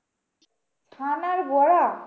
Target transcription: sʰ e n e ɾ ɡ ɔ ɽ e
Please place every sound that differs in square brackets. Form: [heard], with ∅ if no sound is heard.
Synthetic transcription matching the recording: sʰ [a] n [a] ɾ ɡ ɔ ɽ [a]